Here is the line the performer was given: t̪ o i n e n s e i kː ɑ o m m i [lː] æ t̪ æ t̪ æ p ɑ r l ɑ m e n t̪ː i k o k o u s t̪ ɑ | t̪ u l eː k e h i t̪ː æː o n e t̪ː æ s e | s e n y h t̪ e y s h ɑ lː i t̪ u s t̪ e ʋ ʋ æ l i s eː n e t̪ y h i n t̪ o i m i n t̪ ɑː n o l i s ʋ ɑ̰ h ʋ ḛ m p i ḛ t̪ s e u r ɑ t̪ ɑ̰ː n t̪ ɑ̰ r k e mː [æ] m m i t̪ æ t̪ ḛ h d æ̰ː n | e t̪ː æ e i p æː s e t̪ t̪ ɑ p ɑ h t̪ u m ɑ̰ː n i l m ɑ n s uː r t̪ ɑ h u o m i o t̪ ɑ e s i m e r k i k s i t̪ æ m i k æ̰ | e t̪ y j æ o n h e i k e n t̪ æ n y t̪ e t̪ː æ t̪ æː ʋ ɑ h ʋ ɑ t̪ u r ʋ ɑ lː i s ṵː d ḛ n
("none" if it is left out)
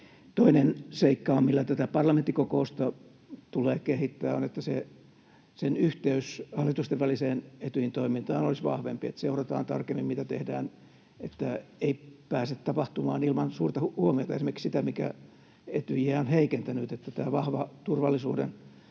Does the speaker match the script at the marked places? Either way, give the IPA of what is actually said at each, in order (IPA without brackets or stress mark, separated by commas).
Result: lː, i